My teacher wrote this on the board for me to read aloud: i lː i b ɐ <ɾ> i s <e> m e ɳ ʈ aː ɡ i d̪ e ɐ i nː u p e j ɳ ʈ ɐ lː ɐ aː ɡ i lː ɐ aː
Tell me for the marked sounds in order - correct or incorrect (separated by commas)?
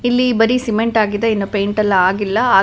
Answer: correct, incorrect